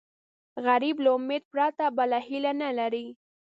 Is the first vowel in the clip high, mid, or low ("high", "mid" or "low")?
low